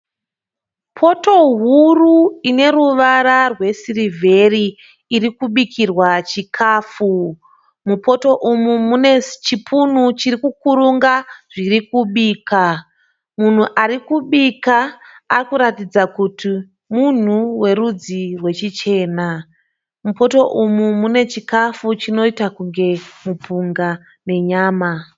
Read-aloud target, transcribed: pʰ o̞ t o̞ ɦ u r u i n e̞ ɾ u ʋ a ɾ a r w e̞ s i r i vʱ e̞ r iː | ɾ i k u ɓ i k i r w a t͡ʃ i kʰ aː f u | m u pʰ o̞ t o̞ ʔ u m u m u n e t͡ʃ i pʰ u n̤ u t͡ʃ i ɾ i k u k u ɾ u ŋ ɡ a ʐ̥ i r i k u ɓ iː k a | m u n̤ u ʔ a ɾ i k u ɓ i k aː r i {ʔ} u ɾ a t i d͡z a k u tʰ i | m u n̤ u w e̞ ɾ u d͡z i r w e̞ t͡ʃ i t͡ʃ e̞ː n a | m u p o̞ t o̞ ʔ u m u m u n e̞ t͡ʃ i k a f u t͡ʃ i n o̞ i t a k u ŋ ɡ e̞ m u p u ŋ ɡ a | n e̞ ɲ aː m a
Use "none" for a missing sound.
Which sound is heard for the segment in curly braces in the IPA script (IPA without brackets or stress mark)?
k